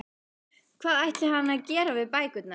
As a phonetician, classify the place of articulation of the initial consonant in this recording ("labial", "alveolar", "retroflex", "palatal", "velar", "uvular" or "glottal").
velar